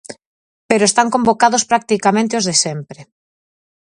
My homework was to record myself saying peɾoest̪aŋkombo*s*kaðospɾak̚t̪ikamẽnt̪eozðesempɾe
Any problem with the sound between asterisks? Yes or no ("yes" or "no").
yes